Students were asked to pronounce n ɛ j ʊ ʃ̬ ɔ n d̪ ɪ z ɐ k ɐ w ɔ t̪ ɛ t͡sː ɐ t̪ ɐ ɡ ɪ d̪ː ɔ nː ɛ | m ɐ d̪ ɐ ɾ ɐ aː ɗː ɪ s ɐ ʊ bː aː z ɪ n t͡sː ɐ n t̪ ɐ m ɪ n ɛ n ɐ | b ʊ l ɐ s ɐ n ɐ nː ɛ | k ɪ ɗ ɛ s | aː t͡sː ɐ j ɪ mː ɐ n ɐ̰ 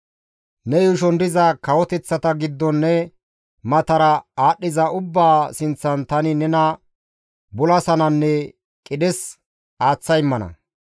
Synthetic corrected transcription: n ɛ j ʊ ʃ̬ ɔ n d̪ ɪ z ɐ k ɐ w ɔ t̪ ɛ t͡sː ɐ t̪ ɐ ɡ ɪ d̪ː ɔ nː ɛ | m ɐ t̪ ɐ ɾ ɐ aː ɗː ɪ z ɐ ʊ bː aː s ɪ n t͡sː ɐ n t̪ ɐ n ɪ n ɛ n ɐ | b ʊ l ɐ s ɐ n ɐ nː ɛ | kʼ ɪ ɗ ɛ s | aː t͡sː ɐ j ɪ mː ɐ n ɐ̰